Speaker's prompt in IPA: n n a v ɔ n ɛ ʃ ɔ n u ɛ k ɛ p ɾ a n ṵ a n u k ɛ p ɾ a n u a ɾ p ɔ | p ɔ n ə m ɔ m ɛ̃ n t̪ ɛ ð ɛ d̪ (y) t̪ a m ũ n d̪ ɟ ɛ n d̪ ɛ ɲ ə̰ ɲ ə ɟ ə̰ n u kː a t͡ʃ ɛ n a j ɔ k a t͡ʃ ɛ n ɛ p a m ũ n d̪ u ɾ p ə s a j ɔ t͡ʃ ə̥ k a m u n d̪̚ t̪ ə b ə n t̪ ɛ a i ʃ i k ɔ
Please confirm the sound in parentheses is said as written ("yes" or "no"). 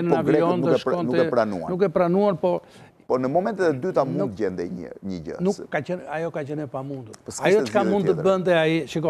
yes